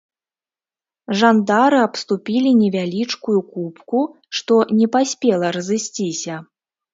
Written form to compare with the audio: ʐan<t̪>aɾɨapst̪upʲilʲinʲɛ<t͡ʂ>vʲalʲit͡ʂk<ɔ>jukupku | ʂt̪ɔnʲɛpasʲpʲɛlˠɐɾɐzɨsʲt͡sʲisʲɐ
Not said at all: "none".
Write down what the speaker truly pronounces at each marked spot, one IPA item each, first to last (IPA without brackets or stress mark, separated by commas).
d̪, none, u